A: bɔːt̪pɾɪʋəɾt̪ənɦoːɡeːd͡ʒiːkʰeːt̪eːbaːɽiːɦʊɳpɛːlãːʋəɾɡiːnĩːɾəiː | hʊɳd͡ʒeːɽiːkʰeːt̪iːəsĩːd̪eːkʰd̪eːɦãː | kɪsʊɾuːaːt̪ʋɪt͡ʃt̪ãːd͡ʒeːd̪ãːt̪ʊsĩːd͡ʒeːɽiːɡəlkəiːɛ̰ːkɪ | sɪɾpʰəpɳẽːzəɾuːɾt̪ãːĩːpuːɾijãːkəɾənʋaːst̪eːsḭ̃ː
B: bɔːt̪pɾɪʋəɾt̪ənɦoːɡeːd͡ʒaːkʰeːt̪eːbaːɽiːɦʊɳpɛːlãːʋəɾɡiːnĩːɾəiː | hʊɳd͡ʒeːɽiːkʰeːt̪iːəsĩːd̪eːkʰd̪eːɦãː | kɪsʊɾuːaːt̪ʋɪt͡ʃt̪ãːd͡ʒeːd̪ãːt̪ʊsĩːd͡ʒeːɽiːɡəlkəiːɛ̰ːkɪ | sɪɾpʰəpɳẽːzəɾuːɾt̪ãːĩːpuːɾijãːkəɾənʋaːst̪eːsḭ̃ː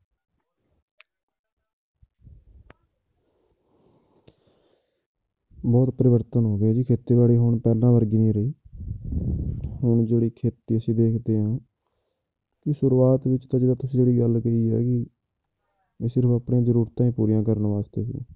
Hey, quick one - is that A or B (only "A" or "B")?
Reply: A